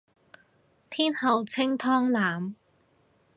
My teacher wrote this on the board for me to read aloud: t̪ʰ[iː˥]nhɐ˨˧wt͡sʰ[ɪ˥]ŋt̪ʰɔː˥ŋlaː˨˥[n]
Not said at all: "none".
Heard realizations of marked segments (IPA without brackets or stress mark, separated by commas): iː˥, ɪ˥, m